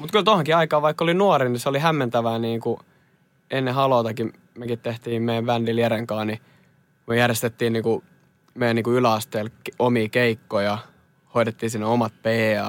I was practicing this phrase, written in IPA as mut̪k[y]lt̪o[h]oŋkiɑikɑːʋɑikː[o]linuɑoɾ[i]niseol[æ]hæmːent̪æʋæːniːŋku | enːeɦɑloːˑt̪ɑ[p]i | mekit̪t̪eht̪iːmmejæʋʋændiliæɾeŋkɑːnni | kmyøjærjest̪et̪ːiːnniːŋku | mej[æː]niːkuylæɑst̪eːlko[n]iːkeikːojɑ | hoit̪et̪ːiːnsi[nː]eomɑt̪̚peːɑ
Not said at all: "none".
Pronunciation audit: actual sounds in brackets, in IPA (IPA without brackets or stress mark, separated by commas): y, h, o, i, i, k, æ, m, nː